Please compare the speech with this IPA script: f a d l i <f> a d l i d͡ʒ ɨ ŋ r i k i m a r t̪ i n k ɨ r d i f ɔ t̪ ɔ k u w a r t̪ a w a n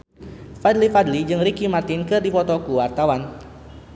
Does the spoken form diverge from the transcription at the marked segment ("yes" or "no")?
no